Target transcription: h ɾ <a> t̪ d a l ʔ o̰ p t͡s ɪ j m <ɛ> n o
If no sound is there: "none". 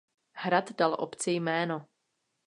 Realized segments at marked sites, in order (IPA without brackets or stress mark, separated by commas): a, ɛː